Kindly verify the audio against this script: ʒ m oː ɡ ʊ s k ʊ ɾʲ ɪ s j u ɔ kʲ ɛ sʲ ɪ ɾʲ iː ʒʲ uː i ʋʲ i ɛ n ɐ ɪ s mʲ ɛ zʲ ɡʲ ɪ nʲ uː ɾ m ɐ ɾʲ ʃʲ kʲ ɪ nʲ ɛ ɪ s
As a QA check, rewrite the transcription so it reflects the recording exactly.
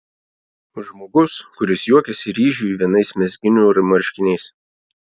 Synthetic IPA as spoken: ʒ m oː ɡ ʊ s k ʊ ɾʲ ɪ s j u ɔ kʲ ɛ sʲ ɪ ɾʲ iː ʒʲ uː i ʋʲ i ɛ n ɐ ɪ s mʲ ɛ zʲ ɡʲ ɪ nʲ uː ɾ m ɐ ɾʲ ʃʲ kʲ ɪ nʲ ɛ ɪ s